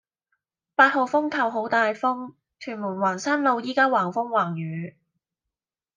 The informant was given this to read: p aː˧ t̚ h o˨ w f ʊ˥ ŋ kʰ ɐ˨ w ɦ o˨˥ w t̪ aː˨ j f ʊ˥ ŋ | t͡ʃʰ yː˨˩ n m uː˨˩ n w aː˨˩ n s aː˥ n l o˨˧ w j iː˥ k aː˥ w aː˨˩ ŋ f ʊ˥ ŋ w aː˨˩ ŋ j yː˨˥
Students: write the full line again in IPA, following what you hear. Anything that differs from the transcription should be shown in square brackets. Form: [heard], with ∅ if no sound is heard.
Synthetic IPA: p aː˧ t̚ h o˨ w f ʊ˥ ŋ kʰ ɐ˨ w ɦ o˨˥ w t̪ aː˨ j f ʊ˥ ŋ | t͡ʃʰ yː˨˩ n m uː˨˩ n w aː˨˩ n s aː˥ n l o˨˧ w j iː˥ k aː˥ w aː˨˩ ŋ f ʊ˥ ŋ w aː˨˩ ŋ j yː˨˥